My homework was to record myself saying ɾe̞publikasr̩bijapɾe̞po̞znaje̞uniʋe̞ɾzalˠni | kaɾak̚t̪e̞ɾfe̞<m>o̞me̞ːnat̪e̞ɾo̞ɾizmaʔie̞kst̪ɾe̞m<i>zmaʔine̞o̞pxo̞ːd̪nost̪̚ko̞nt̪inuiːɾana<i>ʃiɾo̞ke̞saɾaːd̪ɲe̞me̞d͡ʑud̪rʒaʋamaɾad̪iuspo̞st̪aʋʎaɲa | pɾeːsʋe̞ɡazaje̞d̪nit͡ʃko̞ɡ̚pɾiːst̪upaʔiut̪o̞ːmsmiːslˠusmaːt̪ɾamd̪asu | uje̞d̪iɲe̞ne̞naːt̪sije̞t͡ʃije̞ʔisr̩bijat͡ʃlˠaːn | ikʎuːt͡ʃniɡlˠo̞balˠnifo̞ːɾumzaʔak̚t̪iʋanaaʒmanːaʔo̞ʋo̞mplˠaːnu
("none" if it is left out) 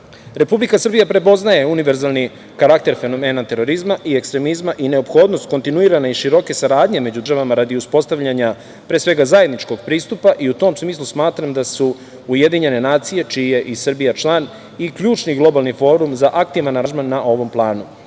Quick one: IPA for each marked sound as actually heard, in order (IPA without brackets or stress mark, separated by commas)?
n, i, i